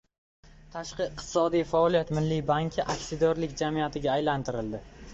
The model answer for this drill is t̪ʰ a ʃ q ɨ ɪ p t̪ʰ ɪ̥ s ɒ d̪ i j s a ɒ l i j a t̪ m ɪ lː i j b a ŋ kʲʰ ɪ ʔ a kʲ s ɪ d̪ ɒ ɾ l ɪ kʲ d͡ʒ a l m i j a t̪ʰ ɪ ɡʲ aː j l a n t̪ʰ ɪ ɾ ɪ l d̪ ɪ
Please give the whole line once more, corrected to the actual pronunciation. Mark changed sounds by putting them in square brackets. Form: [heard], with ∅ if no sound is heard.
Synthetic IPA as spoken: t̪ʰ a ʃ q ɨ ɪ [q] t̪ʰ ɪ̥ s ɒ d̪ i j [f] a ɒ l i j a t̪ m ɪ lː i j b a ŋ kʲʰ ɪ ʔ a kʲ s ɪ d̪ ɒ ɾ l ɪ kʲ d͡ʒ a [∅] m i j a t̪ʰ ɪ ɡʲ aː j l a n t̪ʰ ɪ ɾ ɪ l d̪ ɪ